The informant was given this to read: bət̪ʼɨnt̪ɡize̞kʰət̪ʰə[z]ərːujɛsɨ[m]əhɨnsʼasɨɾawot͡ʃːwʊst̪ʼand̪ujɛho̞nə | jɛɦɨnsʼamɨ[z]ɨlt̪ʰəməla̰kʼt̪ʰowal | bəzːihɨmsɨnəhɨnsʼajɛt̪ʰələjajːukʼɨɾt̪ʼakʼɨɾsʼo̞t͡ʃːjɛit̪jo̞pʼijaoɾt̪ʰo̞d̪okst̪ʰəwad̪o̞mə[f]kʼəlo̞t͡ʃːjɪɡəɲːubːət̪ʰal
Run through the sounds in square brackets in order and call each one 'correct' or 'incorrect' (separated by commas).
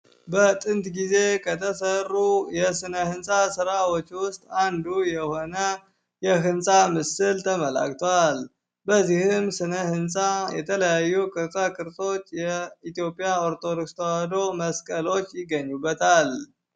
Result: incorrect, incorrect, incorrect, incorrect